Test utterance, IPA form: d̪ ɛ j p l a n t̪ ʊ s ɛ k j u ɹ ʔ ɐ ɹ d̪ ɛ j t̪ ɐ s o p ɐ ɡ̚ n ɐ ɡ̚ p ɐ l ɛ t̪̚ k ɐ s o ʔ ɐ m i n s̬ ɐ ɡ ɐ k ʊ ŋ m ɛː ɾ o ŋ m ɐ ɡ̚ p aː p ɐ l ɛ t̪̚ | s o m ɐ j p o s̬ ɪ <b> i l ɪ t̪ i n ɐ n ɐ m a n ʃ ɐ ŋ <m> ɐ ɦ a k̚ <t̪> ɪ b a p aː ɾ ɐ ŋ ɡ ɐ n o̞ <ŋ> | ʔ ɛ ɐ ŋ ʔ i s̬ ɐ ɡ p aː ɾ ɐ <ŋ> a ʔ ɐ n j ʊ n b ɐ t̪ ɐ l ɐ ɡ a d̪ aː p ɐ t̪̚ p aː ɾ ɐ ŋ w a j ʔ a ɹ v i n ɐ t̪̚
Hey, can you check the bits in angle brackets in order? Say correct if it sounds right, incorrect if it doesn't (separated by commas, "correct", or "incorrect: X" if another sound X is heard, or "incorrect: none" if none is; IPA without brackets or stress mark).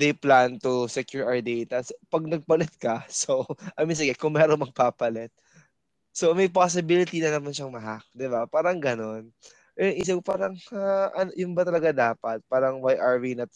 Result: correct, correct, incorrect: d̪, incorrect: n, correct